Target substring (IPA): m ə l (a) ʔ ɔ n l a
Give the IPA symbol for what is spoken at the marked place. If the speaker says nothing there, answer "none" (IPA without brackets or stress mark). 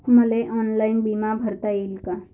e